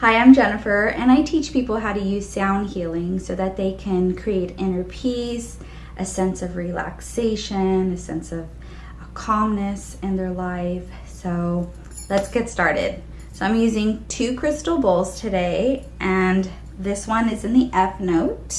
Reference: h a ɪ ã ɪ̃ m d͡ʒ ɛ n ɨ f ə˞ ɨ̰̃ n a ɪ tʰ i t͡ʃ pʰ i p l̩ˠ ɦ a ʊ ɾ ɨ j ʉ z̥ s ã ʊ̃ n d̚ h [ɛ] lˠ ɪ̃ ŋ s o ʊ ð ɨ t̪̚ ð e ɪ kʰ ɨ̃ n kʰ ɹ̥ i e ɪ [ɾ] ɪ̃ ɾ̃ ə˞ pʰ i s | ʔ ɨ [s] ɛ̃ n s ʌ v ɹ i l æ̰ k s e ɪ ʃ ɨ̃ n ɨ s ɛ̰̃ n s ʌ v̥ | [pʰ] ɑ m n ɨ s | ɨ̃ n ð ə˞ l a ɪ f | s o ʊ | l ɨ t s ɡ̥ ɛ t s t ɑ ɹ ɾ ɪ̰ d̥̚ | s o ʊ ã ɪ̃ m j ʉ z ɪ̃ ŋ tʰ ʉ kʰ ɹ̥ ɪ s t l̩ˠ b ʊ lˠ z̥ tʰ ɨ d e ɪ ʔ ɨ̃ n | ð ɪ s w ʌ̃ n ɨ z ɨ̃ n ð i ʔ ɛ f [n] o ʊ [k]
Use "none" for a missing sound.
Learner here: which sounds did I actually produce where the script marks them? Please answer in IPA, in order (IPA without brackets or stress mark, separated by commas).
i, ɾ, s, kʰ, n, t